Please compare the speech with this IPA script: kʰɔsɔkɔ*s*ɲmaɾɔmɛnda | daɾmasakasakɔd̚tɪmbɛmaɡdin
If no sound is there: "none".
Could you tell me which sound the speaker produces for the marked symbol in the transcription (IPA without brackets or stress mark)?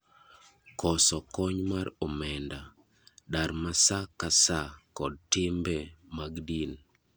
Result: none